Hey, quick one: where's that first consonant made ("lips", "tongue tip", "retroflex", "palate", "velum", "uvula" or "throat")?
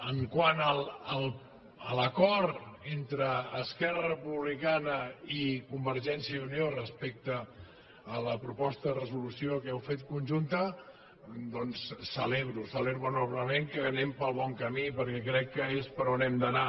velum